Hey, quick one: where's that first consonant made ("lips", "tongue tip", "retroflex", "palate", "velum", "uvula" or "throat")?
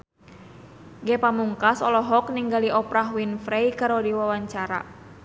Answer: velum